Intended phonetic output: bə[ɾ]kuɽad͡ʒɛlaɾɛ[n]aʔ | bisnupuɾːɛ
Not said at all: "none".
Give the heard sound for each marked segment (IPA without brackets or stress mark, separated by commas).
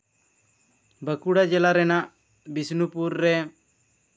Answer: none, n